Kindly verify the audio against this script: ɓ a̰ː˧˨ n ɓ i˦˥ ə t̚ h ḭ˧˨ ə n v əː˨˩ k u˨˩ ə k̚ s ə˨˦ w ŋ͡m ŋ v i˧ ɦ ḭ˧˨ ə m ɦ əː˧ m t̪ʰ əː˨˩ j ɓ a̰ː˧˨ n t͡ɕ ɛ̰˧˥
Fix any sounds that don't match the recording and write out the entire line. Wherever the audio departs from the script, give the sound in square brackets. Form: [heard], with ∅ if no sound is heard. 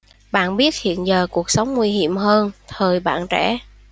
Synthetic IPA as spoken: ɓ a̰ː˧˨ n ɓ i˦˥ ə t̚ h ḭ˧˨ ə n [z] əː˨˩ k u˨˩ ə k̚ s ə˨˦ w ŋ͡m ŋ [w] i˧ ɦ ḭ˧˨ ə m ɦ əː˧ [n] t̪ʰ əː˨˩ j ɓ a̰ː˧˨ n t͡ɕ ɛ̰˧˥